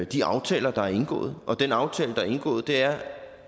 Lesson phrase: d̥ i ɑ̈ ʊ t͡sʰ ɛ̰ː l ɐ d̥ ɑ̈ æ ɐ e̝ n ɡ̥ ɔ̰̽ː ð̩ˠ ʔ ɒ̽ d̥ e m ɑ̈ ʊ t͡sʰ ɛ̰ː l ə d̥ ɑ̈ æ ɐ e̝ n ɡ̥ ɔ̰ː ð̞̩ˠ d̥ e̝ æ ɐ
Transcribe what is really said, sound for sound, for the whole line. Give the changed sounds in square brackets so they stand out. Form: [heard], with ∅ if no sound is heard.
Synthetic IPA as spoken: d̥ i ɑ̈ ʊ t͡sʰ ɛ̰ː l ɐ d̥ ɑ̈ æ ɐ e̝ n ɡ̥ ɔ̰̽ː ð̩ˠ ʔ ɒ̽ d̥ e [n] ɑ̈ ʊ t͡sʰ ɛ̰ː l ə d̥ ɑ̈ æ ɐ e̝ n ɡ̥ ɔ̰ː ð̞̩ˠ d̥ e̝ æ ɐ